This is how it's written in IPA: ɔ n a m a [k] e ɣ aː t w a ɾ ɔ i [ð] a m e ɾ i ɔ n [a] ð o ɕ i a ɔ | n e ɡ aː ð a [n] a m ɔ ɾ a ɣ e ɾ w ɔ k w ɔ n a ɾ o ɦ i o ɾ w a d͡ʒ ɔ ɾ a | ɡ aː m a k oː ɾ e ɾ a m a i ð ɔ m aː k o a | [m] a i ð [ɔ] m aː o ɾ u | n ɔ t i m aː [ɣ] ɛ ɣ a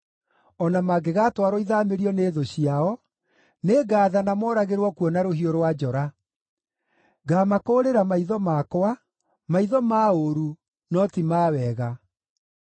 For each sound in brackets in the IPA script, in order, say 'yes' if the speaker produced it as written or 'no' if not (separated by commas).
no, yes, no, yes, yes, yes, no